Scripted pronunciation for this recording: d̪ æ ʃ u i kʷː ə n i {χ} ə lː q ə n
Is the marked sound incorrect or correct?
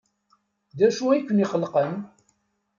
correct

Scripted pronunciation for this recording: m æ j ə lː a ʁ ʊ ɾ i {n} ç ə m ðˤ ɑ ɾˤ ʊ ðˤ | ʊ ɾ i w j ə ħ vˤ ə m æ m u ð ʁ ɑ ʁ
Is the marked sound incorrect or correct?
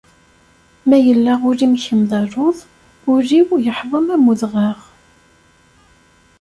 incorrect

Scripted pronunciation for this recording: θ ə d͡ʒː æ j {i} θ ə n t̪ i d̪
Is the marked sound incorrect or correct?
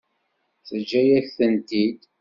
incorrect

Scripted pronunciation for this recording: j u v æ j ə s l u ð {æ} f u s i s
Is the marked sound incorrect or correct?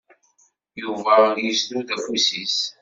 correct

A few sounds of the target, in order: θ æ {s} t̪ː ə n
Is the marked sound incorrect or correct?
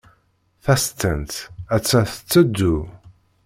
correct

